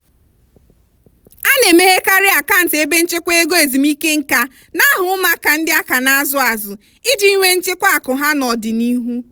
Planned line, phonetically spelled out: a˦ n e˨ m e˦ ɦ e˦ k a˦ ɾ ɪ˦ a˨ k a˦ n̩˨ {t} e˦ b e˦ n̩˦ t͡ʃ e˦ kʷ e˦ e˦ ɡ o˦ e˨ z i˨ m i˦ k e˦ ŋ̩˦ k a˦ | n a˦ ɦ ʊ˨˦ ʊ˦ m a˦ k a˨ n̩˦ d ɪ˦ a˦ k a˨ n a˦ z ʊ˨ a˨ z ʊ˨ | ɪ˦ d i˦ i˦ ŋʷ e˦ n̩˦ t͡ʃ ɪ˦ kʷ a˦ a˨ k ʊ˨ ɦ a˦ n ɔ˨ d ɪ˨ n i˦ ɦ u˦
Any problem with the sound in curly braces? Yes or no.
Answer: no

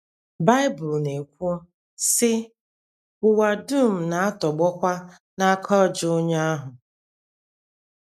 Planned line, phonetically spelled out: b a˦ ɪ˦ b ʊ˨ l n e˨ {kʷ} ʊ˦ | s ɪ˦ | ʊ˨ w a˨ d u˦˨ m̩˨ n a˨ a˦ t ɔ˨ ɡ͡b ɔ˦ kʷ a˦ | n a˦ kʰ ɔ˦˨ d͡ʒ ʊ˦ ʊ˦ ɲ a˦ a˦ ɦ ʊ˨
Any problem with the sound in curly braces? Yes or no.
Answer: no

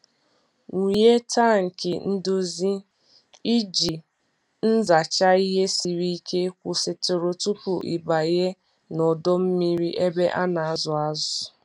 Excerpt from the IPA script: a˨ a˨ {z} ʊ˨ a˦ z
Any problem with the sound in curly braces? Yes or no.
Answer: no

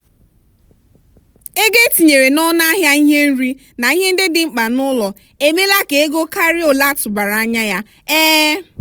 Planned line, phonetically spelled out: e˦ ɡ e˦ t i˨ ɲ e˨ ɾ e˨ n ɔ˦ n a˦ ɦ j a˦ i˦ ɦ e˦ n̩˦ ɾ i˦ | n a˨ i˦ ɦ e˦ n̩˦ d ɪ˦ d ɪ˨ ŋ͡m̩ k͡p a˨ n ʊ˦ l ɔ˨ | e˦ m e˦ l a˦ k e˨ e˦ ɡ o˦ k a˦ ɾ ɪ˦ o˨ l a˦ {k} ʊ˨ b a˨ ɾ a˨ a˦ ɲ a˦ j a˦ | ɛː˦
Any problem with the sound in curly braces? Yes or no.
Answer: yes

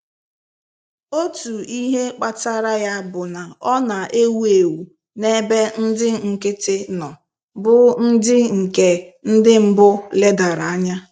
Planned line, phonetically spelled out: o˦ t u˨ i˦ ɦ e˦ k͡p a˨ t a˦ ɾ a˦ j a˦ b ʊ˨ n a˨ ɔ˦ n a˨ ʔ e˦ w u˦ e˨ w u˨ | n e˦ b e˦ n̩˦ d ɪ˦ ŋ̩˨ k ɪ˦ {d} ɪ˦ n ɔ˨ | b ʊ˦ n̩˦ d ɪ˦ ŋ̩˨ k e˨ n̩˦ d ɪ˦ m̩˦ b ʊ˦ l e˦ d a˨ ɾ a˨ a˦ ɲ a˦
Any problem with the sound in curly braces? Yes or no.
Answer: yes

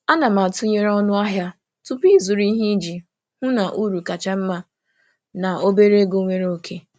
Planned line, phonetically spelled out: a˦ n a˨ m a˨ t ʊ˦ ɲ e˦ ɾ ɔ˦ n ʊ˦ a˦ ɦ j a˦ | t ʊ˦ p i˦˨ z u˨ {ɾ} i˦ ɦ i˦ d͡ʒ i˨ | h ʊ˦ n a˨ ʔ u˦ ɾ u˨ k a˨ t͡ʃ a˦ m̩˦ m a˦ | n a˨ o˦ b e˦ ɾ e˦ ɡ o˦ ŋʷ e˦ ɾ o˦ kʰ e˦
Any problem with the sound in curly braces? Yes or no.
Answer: no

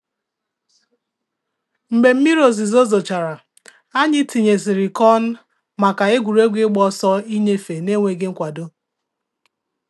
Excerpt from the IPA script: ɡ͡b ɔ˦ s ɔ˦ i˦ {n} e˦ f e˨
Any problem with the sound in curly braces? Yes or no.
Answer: yes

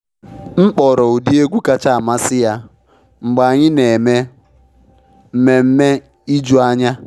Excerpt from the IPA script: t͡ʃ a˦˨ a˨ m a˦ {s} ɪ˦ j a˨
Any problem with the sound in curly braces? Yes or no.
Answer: no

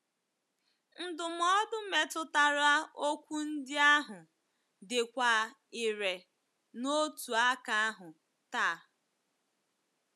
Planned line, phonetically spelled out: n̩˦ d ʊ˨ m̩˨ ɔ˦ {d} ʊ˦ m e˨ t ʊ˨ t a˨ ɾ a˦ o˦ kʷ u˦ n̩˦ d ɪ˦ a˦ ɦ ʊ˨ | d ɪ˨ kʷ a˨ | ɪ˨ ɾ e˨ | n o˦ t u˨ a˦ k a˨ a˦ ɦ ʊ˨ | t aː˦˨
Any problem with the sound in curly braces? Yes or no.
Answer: no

